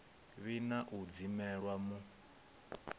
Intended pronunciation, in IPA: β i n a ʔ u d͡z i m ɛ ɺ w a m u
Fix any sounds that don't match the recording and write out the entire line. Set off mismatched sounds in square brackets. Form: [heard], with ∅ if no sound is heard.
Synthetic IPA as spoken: β i n a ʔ u d͡z i m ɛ ɺ w a m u